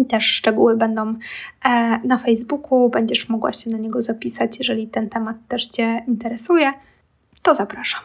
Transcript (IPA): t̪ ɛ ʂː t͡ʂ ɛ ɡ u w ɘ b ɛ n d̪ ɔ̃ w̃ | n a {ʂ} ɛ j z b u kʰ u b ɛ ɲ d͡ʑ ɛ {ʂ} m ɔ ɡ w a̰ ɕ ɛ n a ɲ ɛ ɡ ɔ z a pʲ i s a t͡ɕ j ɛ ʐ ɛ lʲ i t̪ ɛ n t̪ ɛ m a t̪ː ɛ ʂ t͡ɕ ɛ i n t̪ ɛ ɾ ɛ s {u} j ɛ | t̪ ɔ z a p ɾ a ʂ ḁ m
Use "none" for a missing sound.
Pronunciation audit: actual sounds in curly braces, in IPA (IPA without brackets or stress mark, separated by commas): f, ʂ, u